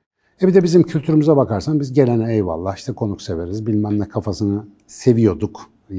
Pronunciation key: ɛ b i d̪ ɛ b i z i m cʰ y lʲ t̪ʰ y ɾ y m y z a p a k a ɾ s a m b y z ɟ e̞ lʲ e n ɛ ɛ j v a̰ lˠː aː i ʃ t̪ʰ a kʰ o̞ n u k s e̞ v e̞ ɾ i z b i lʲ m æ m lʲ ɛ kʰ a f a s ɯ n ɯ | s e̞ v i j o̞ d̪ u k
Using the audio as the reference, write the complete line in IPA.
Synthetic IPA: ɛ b i d̪ ɛ b i z i m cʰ y lʲ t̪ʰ y ɾ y m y z a b a k a ɾ s a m b i z ɟ e̞ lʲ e n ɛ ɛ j v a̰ lˠː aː i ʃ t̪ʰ ɛ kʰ o̞ n u k s e̞ v e̞ ɾ i z b i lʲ m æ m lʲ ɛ kʰ a f a s ɯ n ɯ | s e̞ v i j o̞ d̪ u k